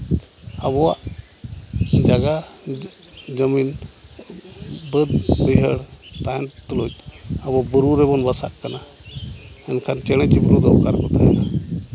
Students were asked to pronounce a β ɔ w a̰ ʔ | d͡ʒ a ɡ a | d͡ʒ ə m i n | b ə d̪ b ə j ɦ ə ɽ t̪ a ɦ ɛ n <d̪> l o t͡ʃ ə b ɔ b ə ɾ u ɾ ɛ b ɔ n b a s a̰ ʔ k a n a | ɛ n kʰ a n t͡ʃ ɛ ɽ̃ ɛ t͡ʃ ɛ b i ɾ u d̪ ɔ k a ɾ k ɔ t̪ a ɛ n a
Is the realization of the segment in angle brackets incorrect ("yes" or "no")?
yes